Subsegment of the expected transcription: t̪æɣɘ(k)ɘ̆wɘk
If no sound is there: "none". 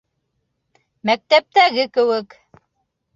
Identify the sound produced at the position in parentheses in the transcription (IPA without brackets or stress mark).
k